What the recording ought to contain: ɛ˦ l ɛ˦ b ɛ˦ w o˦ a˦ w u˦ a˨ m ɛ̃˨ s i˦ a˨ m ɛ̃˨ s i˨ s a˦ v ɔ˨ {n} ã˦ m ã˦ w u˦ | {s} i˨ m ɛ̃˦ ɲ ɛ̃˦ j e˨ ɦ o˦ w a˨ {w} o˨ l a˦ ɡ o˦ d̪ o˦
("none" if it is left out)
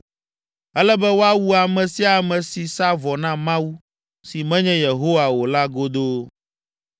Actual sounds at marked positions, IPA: n, s, w

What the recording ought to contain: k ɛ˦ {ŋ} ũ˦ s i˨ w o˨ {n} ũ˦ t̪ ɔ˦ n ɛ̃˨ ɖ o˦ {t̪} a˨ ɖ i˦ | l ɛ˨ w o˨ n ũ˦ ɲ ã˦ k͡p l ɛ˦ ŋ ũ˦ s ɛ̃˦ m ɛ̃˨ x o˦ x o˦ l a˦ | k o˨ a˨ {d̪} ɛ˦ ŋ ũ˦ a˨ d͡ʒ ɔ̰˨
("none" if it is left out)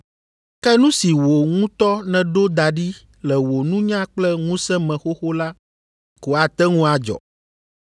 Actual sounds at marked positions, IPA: n, ŋ, d̪, t̪

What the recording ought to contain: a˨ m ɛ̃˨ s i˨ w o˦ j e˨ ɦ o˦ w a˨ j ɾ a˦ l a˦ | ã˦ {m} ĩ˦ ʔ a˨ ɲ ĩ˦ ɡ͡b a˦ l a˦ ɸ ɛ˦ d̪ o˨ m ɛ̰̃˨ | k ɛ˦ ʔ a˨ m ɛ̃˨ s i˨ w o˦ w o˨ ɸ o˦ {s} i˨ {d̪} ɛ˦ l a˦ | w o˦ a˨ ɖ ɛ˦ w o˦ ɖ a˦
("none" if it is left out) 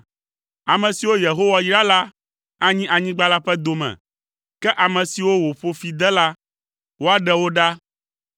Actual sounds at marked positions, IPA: ɲ, f, d̪

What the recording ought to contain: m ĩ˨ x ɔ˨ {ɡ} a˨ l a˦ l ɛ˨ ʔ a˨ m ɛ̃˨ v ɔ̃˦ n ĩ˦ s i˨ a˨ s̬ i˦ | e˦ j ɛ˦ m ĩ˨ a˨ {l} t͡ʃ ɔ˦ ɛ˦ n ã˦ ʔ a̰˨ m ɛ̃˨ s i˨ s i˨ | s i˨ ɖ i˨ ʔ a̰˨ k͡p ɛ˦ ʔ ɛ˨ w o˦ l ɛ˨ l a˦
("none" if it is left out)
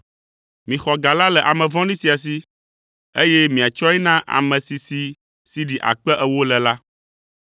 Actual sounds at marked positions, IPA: ɡ, none

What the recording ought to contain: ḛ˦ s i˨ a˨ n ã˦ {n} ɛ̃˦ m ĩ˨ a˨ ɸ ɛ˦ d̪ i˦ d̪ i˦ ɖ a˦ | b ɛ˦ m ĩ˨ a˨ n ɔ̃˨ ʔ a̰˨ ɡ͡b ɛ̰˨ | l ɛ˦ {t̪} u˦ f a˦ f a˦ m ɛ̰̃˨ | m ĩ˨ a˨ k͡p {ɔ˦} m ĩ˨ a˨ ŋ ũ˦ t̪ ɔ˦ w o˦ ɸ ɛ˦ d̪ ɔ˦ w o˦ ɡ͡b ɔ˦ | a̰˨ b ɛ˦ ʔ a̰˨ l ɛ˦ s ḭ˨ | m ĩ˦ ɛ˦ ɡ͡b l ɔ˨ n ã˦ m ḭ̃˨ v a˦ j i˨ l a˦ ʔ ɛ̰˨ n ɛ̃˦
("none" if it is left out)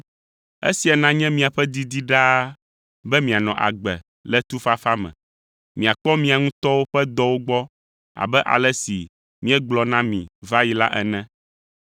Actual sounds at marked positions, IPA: ɲ, t̪, ɔ˦

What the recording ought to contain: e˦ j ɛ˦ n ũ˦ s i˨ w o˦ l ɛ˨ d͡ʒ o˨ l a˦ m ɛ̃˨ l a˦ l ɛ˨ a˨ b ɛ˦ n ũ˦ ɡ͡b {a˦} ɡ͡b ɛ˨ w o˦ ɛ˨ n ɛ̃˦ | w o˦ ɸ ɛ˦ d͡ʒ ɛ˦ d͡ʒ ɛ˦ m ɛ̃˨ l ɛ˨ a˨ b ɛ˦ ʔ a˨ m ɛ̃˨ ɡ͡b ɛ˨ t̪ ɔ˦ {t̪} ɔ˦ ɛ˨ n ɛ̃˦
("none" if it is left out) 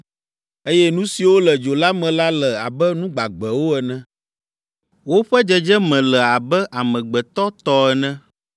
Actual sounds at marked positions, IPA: a˨, t̪

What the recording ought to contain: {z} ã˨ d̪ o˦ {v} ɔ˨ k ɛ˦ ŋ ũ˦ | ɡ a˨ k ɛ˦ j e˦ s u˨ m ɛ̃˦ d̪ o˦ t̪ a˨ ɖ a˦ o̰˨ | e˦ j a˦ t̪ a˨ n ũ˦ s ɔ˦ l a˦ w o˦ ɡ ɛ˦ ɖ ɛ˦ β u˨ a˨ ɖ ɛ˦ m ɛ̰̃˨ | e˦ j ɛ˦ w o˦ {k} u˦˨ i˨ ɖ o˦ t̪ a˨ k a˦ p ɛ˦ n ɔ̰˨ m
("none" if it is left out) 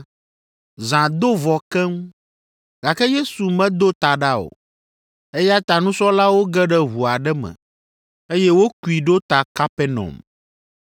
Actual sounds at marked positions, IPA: z, v, k

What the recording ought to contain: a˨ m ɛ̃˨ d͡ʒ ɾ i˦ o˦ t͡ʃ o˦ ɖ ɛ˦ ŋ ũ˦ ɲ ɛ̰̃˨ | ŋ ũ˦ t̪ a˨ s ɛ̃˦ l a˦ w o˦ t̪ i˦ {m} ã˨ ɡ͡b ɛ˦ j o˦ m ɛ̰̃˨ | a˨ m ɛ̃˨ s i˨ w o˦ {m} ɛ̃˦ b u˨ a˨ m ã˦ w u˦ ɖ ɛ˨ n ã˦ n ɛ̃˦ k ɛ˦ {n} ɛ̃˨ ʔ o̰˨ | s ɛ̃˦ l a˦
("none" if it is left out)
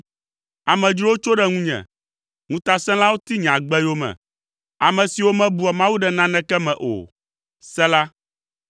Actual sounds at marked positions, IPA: ɲ, m, m

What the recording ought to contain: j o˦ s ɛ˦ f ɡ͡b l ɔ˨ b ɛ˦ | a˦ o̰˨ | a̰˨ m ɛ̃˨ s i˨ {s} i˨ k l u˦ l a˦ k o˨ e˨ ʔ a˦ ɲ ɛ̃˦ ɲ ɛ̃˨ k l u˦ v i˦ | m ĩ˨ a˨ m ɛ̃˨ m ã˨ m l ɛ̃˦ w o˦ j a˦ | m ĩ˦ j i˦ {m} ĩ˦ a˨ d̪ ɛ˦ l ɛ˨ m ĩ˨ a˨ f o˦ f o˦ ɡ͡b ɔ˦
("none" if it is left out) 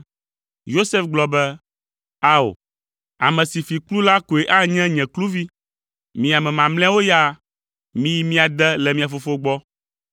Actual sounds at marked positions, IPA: f, m

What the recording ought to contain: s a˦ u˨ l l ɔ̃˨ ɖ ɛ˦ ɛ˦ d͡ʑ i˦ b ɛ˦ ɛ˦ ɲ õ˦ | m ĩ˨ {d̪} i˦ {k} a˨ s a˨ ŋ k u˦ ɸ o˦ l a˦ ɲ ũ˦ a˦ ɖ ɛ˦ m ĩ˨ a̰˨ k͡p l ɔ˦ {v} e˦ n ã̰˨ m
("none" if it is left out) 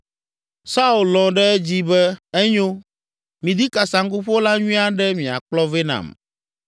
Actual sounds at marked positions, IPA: d̪, k, v

